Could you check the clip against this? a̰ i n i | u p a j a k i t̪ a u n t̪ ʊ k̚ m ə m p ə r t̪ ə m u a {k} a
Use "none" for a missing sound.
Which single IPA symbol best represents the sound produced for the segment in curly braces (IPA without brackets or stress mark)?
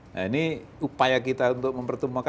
k